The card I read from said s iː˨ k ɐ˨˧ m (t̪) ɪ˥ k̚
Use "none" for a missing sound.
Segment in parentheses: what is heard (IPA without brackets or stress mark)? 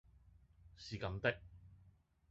t̪